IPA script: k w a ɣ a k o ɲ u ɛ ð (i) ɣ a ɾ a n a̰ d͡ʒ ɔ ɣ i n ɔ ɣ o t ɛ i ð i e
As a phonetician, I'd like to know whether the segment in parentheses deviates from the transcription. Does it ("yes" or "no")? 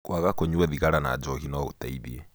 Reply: no